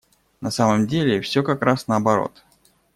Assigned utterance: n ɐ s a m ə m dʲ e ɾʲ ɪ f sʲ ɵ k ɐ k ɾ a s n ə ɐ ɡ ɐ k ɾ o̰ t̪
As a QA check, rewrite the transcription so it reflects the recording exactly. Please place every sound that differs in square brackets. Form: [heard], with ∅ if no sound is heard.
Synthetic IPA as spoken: n ɐ s a m ə m dʲ e [lʲ] ɪ f sʲ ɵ k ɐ k ɾ a s n ə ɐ [b] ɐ [∅] ɾ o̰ t̪